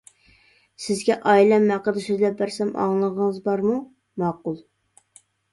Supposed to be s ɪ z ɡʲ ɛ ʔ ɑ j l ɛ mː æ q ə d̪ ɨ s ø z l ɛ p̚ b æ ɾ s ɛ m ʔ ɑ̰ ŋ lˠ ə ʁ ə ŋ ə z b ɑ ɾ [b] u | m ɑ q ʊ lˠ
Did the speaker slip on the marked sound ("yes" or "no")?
yes